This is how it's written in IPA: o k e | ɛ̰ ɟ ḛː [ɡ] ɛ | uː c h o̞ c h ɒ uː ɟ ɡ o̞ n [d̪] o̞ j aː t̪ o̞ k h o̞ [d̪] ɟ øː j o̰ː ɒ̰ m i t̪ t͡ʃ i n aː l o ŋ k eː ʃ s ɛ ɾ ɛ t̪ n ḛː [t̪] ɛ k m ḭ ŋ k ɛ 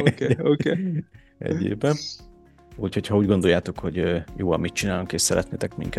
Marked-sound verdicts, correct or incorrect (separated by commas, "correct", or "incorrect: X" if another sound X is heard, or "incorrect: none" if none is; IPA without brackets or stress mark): incorrect: b, correct, incorrect: none, correct